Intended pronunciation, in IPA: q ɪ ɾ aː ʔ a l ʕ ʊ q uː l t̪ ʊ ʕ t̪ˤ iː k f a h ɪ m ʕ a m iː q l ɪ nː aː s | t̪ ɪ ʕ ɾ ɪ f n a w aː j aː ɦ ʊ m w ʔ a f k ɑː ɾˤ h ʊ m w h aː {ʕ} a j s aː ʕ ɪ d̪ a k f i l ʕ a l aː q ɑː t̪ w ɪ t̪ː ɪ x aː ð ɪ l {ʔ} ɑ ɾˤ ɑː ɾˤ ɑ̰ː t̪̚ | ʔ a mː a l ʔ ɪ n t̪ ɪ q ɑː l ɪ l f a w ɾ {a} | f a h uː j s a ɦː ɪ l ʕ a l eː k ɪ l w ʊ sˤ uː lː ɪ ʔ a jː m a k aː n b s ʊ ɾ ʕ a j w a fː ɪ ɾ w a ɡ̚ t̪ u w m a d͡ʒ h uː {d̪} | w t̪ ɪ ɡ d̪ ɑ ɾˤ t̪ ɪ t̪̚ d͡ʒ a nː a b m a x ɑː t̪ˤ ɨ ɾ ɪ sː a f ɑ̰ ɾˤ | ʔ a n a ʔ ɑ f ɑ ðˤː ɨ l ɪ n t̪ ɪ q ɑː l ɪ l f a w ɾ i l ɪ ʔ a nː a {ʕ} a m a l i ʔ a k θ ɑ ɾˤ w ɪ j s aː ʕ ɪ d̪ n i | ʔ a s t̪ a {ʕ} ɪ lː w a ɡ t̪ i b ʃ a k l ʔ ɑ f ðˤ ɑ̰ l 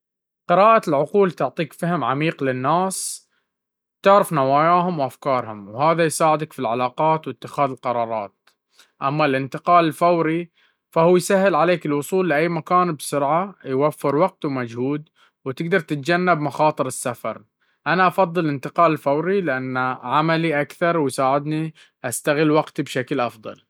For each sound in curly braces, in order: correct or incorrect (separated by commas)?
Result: incorrect, incorrect, incorrect, correct, correct, incorrect